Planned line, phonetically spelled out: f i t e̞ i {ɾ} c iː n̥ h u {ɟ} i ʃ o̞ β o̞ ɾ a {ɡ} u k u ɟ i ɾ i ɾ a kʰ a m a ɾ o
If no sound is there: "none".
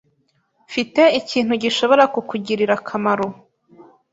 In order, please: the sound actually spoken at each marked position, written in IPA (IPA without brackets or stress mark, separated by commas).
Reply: none, ɟ, k